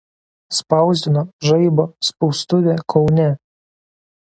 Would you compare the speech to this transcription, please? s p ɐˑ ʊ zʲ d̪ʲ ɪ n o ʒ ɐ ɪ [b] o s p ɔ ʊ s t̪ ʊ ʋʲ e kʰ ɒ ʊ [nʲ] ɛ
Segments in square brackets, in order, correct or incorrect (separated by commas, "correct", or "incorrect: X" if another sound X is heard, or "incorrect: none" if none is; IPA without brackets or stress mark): correct, correct